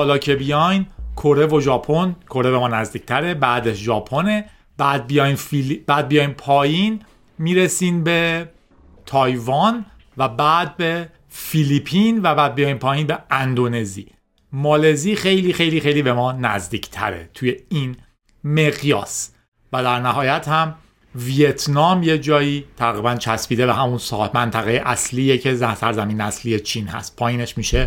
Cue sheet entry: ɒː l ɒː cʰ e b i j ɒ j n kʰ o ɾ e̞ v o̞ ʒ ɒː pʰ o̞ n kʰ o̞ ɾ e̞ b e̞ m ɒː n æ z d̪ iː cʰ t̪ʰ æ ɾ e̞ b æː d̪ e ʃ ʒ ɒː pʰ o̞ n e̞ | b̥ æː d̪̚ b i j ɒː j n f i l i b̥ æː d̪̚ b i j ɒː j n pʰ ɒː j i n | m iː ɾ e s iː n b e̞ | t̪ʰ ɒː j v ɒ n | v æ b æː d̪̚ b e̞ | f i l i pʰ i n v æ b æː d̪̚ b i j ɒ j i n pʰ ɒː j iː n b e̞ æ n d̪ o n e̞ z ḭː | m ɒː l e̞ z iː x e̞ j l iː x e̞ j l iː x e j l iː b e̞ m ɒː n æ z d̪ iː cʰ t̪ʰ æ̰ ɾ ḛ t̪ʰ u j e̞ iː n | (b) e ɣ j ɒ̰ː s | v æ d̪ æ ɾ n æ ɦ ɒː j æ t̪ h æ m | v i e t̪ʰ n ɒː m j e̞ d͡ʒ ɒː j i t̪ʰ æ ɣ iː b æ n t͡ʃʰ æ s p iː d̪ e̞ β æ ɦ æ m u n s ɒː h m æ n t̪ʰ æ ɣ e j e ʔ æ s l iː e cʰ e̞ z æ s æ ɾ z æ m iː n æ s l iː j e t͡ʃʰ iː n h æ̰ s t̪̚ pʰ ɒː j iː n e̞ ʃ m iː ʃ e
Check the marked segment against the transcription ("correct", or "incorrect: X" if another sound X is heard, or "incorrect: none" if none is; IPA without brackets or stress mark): incorrect: m